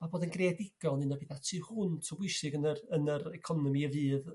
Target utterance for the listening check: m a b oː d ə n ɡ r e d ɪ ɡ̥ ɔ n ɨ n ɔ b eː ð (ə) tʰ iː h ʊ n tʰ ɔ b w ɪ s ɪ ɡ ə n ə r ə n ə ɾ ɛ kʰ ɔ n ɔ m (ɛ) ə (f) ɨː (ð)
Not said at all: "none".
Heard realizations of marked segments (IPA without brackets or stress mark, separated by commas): a, i, v, ð